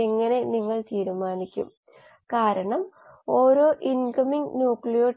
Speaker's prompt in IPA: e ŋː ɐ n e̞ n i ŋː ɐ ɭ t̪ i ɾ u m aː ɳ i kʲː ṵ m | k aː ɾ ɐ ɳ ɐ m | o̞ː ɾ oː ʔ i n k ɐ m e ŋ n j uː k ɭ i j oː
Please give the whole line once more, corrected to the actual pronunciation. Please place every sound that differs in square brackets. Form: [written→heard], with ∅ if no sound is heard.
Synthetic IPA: e ŋː ɐ n e̞ n i ŋː ɐ ɭ t̪ [i→iː] ɾ u m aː [ɳ→n] i kʲː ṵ m | k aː ɾ ɐ ɳ ɐ m | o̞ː ɾ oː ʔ i n k ɐ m [e→i] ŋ n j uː k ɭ i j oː

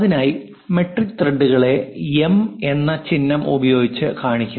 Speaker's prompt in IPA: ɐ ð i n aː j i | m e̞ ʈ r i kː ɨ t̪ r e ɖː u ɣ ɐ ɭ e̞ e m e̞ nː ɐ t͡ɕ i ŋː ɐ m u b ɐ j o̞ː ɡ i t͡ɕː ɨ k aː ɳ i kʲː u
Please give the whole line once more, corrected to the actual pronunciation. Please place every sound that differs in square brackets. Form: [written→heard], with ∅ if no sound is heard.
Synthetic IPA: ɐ ð i n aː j i | m e̞ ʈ r i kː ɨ t̪ r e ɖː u ɣ ɐ ɭ e̞ e m e̞ nː ɐ t͡ɕ i [ŋː→nː] ɐ m u b ɐ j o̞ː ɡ i t͡ɕː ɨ k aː ɳ i kʲː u

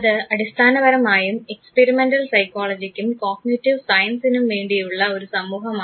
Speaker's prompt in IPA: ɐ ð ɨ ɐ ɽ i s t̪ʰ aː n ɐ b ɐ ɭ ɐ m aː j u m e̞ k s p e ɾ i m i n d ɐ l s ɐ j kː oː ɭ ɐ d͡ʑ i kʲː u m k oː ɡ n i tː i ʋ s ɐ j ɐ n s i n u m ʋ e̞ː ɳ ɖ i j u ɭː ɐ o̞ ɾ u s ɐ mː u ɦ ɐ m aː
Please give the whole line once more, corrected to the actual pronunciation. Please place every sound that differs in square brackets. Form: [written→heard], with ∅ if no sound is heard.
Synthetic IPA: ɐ ð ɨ ɐ ɽ i s t̪ʰ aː n ɐ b ɐ [ɭ→ɾ] ɐ m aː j u m e̞ k s p e ɾ i m [i→e] n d ɐ l s ɐ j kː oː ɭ ɐ d͡ʑ i kʲː u m k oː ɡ n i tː i ʋ s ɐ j ɐ n s i n u m ʋ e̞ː ɳ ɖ i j u ɭː ɐ o̞ ɾ u s ɐ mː [u→uː] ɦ ɐ m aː

